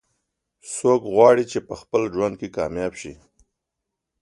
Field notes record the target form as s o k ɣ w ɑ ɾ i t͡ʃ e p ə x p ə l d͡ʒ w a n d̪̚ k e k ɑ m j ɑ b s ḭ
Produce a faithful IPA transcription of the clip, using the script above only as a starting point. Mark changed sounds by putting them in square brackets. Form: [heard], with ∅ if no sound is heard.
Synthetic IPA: s o k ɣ w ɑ [ɽ] i t͡ʃ e p ə x p ə l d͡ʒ w a n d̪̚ k e k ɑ m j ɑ b [ʃ] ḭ